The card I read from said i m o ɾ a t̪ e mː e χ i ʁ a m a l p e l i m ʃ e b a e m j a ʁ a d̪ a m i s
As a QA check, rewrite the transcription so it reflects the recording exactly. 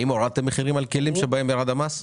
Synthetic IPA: i m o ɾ a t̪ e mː e χ i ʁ i m a l k e l i m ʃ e b a e m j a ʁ a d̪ a m a s